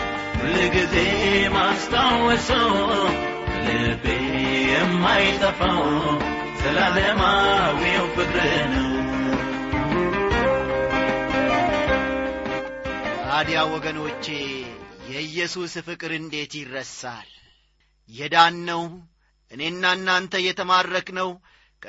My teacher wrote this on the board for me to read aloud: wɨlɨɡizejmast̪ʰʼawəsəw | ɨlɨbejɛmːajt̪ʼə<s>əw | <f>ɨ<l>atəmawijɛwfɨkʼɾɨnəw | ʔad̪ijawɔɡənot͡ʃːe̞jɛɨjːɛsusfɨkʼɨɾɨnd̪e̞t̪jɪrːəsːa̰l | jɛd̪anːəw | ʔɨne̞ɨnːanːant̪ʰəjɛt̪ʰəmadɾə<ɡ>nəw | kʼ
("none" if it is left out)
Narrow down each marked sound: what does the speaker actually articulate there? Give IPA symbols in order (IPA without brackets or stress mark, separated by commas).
f, s, l, k